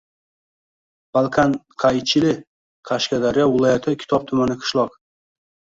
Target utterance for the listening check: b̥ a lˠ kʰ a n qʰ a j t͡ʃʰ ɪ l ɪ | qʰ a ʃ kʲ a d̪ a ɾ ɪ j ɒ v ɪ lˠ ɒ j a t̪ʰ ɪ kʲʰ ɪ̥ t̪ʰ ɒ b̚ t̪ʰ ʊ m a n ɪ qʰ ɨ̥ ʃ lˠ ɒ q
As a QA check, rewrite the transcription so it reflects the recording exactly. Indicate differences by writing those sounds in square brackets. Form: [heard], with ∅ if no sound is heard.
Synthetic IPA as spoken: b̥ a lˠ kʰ a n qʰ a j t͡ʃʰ ɪ l ɪ | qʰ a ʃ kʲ a d̪ a ɾ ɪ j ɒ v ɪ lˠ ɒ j a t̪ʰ ɪ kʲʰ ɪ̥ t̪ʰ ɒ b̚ t̪ʰ ʊ m a n ɪ qʰ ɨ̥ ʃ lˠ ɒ q